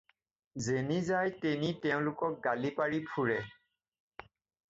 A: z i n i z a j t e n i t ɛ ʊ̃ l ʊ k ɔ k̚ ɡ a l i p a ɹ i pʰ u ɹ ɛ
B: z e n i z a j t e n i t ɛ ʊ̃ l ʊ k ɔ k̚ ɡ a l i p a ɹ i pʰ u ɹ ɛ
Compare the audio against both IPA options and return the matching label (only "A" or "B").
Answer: B